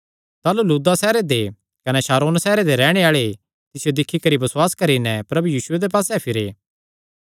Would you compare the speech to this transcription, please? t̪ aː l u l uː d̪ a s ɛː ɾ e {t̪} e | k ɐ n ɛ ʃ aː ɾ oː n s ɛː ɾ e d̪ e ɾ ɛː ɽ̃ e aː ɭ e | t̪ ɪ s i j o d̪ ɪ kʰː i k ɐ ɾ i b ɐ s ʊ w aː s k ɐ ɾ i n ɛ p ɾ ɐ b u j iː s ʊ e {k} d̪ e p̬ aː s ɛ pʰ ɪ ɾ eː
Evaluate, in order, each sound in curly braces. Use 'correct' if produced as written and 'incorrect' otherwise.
incorrect, incorrect

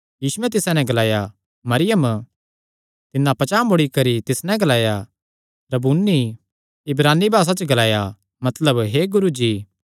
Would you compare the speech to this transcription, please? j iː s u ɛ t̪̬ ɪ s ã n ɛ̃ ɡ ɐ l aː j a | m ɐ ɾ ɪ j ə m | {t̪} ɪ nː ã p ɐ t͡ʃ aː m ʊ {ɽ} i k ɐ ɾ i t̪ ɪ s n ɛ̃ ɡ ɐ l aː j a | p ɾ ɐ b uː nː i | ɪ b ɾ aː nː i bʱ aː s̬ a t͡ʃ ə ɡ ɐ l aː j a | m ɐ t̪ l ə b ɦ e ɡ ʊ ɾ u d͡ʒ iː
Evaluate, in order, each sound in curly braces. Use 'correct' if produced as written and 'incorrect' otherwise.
correct, correct

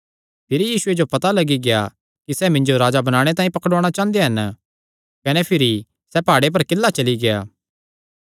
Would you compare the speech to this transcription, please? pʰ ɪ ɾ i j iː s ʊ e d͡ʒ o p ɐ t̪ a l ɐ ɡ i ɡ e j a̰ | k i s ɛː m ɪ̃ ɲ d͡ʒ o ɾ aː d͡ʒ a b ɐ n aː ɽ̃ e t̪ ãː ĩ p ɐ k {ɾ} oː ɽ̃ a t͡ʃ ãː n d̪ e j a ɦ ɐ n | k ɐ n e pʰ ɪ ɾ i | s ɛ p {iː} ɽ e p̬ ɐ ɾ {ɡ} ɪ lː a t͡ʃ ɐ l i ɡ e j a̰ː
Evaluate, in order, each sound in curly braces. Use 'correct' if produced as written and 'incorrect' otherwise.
incorrect, incorrect, incorrect

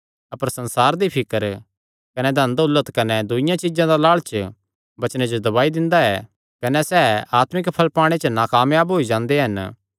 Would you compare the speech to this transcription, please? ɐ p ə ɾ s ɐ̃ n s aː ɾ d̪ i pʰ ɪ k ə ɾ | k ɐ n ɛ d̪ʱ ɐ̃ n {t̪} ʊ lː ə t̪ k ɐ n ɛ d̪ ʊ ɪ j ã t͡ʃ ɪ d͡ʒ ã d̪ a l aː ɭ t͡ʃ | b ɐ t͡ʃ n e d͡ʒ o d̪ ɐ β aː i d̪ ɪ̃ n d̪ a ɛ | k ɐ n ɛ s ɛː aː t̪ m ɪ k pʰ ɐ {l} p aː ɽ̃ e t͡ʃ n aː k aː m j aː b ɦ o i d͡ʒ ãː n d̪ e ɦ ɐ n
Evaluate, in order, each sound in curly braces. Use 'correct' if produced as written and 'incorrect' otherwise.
incorrect, correct

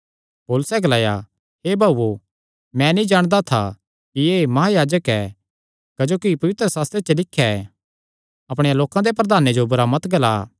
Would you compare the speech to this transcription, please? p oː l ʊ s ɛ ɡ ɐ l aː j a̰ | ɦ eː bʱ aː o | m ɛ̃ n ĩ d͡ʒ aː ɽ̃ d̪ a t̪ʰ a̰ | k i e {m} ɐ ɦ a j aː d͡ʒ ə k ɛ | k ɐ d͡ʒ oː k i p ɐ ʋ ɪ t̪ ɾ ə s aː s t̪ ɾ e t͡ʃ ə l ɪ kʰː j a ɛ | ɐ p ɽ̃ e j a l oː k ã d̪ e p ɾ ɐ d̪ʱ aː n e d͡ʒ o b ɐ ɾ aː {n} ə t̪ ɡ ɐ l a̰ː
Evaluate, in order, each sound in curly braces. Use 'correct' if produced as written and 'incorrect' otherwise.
correct, incorrect

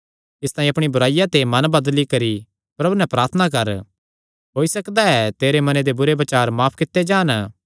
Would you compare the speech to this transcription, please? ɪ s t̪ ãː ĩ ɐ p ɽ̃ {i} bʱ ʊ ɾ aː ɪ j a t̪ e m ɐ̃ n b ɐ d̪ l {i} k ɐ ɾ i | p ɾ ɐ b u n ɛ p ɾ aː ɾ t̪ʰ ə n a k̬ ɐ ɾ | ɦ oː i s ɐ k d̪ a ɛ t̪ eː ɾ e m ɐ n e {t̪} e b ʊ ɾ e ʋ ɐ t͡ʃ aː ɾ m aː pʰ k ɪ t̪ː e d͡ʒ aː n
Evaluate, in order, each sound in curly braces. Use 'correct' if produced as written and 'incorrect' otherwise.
correct, correct, incorrect

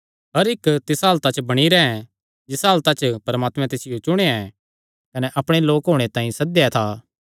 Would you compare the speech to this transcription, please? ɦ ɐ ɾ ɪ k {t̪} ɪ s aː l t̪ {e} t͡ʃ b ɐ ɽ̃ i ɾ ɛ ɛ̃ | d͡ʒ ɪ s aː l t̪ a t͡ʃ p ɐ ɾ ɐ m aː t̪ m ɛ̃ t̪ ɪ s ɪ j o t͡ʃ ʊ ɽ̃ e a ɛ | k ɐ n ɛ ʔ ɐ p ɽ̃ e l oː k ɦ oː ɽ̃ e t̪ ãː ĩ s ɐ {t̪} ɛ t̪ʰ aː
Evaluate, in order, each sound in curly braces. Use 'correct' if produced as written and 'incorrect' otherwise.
correct, incorrect, incorrect

